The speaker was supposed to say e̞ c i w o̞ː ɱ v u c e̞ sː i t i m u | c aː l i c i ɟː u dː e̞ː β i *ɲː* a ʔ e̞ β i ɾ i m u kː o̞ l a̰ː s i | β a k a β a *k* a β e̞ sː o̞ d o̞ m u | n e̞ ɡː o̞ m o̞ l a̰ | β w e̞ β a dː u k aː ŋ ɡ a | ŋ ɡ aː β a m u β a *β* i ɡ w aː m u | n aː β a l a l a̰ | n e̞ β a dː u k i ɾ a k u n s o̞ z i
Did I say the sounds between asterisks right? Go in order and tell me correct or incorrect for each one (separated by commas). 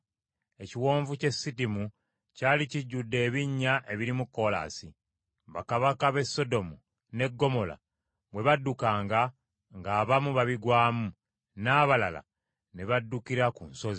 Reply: correct, correct, correct